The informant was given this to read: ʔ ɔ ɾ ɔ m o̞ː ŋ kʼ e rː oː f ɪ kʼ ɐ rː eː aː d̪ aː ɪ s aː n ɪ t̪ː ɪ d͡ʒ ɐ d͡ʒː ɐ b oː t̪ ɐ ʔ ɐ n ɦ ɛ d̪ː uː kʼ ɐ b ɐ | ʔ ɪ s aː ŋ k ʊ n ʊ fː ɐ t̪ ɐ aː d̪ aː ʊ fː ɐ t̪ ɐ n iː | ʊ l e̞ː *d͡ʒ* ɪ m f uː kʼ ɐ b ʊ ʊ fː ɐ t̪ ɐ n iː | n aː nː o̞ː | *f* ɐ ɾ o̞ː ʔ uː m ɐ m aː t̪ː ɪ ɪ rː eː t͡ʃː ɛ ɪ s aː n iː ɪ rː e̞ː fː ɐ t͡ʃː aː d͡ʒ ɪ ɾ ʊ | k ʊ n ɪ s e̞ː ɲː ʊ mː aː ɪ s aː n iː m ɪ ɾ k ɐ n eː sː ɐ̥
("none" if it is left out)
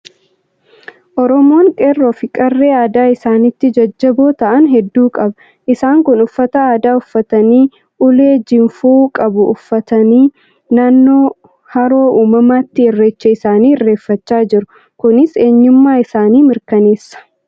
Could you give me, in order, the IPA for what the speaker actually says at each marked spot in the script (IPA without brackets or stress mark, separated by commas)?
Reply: d͡ʒ, h